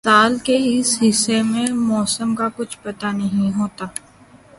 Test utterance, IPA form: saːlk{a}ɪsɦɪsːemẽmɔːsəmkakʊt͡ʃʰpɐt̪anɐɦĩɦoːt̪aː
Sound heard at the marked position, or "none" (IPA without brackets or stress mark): e